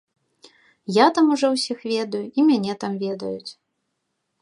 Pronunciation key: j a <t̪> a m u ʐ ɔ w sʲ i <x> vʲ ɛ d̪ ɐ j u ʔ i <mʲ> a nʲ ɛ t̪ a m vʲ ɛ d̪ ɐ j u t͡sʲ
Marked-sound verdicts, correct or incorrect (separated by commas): correct, correct, correct